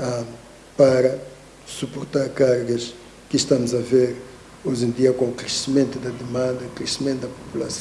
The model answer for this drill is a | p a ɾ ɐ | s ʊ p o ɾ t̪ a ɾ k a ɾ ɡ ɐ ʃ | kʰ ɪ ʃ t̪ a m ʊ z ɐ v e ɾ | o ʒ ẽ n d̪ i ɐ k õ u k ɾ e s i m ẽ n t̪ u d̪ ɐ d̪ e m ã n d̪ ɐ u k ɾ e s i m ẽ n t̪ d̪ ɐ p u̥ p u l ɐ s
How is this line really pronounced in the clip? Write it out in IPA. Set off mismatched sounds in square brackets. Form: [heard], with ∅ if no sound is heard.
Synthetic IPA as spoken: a | p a ɾ ɐ | s [u] p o ɾ t̪ a ɾ k a ɾ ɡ ɐ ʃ | [k] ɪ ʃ t̪ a m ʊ z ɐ v e ɾ | o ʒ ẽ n d̪ i ɐ k õ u k ɾ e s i m ẽ n t̪ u d̪ ɐ d̪ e m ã n d̪ ɐ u k ɾ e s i m ẽ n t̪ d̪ ɐ p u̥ p u l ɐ s